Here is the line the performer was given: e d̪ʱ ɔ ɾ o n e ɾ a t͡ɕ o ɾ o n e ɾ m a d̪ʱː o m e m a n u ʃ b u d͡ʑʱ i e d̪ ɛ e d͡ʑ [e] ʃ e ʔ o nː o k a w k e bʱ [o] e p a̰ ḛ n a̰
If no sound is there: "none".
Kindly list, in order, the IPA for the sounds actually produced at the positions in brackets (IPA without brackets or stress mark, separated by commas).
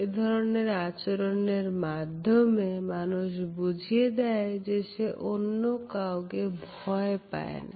e, ɔ